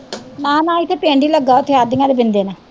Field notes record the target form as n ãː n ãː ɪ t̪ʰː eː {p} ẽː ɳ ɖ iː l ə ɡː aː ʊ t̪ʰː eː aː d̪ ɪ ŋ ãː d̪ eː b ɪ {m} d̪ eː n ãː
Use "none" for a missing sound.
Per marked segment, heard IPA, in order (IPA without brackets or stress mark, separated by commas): p, n